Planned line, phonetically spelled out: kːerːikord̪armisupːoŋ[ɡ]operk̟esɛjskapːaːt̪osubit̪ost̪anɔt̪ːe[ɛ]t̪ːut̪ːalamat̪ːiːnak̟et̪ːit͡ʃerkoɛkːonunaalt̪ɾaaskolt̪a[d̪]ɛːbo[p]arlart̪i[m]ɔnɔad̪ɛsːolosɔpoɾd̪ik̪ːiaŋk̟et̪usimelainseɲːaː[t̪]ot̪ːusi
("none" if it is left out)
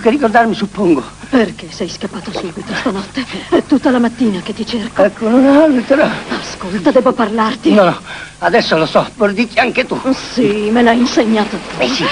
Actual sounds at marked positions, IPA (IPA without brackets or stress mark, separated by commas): ɡ, ɛ, d̪, p, n, t̪